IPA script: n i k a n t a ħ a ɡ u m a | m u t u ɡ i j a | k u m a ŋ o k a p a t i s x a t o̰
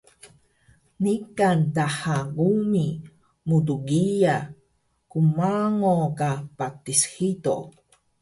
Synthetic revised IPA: n i k a n t a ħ a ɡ u m i | m u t u ɡ i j a | k u m a ŋ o k a p a t i s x i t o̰